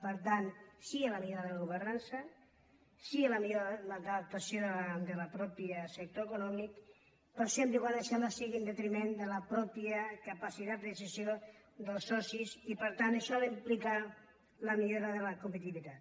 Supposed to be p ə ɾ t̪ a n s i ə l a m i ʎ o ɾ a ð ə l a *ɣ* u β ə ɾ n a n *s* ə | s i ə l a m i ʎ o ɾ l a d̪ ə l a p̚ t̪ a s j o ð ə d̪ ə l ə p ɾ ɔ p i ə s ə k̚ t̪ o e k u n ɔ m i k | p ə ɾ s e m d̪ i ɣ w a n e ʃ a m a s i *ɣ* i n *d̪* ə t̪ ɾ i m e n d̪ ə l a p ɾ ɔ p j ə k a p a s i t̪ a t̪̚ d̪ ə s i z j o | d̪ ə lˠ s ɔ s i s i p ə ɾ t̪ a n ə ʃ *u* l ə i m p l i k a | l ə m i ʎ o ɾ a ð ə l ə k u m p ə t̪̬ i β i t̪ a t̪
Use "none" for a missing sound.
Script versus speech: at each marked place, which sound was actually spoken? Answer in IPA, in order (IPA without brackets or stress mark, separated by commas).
ɣ, s, ɣ, d̪, ɔ